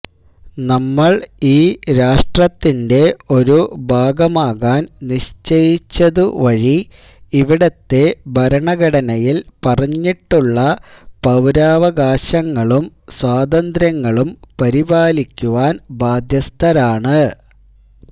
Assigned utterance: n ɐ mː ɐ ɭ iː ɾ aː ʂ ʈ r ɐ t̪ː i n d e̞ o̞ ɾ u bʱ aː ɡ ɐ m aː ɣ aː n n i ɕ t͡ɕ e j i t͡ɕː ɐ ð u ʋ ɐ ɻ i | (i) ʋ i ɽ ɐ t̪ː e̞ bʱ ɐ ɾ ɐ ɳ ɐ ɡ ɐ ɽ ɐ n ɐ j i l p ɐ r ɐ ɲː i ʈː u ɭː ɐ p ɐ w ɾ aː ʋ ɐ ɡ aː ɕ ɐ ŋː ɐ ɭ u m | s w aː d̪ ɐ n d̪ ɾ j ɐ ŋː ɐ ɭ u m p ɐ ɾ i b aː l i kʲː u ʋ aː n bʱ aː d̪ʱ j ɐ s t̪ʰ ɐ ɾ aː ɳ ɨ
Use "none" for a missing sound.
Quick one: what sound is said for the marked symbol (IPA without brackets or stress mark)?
i